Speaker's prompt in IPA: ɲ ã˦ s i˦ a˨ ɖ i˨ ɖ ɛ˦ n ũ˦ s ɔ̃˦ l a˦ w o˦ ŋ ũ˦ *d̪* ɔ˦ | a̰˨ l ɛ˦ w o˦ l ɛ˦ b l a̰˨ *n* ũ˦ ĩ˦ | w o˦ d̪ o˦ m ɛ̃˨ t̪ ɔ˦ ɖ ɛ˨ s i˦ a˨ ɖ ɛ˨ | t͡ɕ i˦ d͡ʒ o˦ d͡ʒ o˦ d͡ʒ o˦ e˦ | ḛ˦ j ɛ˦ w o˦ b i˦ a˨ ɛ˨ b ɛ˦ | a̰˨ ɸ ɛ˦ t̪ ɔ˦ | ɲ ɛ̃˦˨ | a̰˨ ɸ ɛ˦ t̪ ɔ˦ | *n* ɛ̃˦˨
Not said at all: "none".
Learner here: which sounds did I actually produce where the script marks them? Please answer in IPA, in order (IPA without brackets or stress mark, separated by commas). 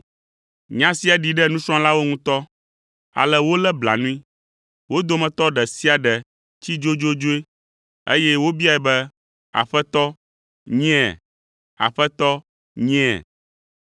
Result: t̪, n, ɲ